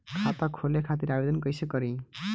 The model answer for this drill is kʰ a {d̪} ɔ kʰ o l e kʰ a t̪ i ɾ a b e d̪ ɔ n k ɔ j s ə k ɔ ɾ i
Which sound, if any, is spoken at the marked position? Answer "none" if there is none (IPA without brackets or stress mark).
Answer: t̪